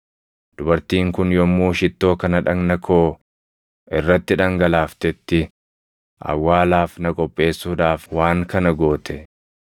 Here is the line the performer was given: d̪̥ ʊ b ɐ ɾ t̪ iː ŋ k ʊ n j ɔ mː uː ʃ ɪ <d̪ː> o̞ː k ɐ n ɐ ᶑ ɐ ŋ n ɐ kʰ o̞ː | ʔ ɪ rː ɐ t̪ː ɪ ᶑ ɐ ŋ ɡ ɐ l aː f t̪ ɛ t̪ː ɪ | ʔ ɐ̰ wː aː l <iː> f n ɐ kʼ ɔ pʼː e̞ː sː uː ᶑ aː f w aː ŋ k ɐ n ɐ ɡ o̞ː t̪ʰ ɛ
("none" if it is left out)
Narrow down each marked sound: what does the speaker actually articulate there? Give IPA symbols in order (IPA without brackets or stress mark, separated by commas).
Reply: t̪ː, aː